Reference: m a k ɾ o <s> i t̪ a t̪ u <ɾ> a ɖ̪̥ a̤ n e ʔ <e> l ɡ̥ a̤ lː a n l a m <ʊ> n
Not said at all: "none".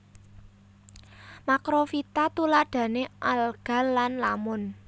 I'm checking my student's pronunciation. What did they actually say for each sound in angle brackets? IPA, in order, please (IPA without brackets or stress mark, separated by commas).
f, l, a, ʊ